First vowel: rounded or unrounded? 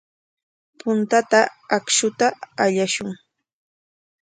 rounded